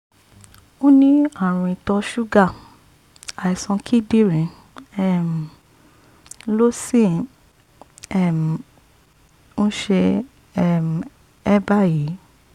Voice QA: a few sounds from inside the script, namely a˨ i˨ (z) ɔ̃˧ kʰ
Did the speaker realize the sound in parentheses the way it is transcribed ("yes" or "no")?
no